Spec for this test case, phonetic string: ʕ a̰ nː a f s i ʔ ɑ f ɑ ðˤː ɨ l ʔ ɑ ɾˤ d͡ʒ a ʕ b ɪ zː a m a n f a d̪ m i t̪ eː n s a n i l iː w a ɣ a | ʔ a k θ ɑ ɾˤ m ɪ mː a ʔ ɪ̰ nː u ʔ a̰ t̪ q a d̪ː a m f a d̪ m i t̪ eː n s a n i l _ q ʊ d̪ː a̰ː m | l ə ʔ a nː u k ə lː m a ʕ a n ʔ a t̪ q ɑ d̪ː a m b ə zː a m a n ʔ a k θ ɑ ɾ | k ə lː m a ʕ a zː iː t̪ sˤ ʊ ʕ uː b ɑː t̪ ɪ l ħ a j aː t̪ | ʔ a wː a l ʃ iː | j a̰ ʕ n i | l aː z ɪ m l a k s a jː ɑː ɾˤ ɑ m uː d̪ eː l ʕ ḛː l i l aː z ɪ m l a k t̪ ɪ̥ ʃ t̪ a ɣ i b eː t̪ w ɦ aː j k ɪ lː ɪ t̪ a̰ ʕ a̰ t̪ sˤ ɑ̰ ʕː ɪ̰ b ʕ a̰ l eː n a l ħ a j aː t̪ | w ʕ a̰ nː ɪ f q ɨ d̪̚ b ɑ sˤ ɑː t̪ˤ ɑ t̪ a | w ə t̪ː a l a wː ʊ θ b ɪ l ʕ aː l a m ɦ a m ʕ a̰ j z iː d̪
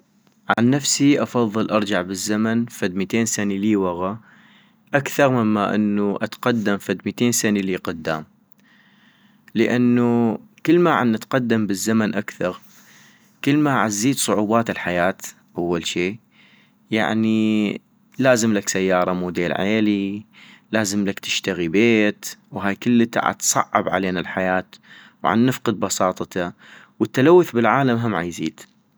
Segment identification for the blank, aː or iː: iː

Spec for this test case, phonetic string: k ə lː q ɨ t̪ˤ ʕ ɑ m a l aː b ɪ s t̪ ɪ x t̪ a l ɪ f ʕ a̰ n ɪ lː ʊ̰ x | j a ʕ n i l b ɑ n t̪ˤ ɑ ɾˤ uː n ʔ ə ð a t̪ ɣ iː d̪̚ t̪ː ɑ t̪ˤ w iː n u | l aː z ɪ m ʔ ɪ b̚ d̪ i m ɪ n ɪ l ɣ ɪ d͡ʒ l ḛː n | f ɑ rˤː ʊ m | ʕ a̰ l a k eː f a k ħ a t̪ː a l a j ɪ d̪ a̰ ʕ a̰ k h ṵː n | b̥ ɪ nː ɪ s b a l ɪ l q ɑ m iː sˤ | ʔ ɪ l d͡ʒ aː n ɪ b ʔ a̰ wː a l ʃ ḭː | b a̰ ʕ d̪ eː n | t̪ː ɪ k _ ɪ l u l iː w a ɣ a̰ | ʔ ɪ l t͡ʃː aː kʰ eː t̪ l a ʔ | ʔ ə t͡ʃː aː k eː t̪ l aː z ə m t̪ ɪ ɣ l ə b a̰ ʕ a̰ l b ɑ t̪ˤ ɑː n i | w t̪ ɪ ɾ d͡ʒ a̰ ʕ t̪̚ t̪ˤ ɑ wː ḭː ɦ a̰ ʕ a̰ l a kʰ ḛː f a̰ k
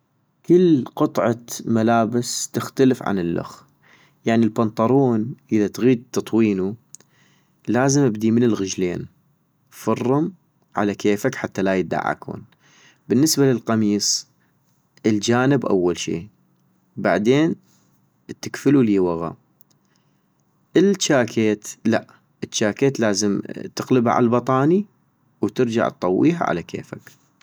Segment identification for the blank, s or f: f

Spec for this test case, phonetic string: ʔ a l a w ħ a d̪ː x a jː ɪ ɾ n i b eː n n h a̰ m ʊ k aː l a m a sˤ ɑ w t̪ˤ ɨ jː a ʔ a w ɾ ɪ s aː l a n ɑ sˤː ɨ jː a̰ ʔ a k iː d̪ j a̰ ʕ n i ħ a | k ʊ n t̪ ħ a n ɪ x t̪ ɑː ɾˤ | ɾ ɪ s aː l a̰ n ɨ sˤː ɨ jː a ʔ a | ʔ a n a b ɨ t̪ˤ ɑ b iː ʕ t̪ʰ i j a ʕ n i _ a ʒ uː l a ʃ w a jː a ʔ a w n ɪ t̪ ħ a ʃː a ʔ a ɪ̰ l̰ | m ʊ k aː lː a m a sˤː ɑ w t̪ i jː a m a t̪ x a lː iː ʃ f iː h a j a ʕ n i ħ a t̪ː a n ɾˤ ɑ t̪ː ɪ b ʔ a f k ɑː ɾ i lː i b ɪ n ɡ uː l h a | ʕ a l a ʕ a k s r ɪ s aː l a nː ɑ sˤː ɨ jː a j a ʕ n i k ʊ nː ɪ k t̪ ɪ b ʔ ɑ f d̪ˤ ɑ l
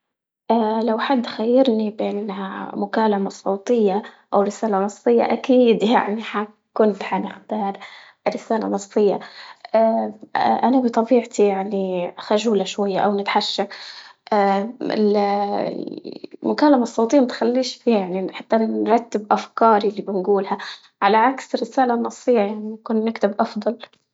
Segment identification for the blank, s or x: x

